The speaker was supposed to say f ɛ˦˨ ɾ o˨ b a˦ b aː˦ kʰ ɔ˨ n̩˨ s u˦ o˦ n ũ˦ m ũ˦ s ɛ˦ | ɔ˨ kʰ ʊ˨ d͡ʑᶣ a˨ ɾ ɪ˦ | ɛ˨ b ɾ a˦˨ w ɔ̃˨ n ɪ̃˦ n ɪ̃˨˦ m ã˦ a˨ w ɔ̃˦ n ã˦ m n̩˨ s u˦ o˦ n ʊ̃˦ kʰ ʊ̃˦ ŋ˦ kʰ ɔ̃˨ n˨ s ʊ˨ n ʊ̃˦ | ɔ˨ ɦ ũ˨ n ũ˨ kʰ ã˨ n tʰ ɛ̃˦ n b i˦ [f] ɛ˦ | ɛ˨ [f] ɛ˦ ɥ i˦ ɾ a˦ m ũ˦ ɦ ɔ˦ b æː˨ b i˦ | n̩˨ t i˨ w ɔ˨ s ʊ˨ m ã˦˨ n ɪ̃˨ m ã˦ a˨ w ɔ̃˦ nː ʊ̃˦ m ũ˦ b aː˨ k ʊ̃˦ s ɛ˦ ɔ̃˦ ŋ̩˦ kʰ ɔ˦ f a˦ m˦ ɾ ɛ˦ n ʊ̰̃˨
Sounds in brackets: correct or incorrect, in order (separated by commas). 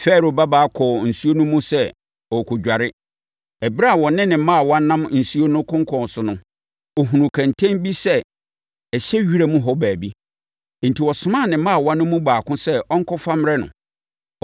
incorrect, incorrect